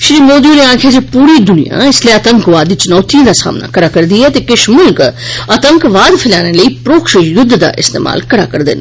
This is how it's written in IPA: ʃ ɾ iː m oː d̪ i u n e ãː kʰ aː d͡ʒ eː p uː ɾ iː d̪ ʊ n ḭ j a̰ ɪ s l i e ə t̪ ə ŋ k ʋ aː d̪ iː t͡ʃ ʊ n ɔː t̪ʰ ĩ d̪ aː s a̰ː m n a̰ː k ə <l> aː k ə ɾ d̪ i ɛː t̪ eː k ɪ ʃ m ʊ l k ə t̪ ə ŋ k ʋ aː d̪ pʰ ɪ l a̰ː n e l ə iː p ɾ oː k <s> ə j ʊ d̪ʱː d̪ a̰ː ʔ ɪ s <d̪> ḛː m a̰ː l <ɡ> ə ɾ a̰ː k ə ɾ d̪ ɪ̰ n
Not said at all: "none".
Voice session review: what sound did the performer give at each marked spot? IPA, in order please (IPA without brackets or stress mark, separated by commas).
ɾ, ʃ, t̪, k